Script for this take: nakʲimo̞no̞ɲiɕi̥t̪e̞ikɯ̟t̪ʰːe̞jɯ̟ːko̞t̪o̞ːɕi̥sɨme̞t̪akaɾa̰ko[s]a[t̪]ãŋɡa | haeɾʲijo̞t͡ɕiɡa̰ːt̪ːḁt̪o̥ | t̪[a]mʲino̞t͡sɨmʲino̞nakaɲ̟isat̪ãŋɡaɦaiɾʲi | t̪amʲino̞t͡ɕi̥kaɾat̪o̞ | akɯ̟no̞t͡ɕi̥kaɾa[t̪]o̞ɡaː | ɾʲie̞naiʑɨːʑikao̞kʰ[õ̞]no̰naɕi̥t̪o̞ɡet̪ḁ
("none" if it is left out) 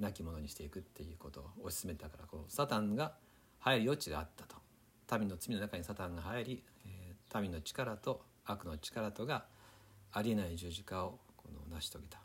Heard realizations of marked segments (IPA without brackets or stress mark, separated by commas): s, t̪, a, t̪, o̞